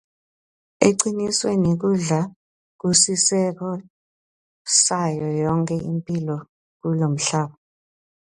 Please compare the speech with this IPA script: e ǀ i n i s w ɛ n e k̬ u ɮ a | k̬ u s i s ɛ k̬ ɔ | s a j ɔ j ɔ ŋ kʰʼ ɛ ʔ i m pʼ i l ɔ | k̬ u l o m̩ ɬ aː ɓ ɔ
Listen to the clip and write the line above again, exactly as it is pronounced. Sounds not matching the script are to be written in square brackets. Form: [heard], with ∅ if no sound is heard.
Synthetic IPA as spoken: e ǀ i n i s w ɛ n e k̬ u ɮ a | k̬ u s i s ɛ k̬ ɔ | s a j ɔ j ɔ ŋ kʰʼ ɛ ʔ i m pʼ i l ɔ | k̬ u l o m̩ ɬ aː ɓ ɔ